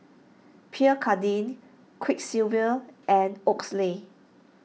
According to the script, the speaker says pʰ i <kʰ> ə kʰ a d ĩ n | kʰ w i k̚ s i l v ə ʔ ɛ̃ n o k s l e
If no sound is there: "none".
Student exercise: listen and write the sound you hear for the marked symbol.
none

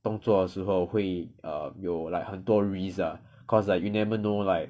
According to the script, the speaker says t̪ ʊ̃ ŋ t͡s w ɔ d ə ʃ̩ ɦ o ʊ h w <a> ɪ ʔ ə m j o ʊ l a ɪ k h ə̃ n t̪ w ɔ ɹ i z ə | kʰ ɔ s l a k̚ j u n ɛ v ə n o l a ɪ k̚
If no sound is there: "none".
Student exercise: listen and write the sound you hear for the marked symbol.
e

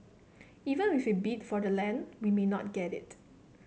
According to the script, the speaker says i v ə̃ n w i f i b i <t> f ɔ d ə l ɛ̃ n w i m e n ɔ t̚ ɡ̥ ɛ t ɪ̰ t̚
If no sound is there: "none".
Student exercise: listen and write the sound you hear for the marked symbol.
t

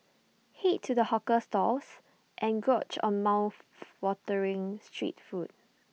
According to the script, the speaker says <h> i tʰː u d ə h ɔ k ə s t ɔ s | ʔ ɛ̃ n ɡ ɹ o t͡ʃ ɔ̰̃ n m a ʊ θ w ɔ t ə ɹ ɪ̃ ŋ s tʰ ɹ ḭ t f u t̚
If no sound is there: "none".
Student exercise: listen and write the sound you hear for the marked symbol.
h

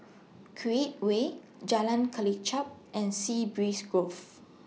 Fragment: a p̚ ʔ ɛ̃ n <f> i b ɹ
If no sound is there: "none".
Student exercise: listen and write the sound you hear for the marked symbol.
s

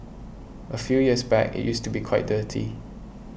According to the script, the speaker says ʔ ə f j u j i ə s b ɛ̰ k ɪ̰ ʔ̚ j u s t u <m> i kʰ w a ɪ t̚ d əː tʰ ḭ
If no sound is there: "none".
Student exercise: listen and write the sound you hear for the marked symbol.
b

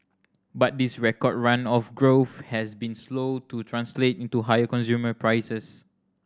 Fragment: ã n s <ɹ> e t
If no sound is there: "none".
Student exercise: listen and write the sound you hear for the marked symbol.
l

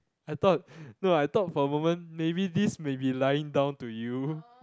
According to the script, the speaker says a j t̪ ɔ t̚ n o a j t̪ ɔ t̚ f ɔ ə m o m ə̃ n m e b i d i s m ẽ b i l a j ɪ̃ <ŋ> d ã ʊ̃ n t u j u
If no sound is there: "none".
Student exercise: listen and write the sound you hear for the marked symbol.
ŋ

